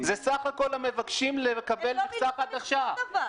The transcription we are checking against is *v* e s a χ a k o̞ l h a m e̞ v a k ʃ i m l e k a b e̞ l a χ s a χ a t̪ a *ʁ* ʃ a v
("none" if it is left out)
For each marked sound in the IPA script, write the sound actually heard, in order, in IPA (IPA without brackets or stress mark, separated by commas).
z, χ